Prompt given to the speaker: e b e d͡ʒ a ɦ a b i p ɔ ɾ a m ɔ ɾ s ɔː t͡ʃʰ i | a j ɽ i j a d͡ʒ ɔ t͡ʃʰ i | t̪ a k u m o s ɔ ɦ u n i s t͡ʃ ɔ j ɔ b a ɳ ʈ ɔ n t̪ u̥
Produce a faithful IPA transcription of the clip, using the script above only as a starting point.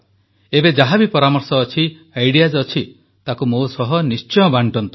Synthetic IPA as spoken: e b e d͡ʒ a ɦ a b i p ɔ ɾ a m ɔ ɾ s ɔː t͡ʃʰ i | a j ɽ i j a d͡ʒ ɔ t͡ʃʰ i | t̪ a k u m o s ɔ ɦ ɔ n i s t͡ʃ ɔ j ɔ b a ɳ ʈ ɔ n t̪ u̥